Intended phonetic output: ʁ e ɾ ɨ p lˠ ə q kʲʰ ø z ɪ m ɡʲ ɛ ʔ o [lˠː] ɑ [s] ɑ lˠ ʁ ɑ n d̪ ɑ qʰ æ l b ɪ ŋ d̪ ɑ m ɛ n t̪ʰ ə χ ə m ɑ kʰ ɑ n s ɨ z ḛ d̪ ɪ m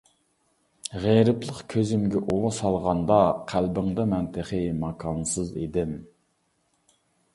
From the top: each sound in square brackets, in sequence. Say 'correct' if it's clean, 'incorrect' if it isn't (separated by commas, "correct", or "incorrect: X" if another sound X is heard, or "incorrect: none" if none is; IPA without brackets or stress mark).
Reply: incorrect: lˠ, correct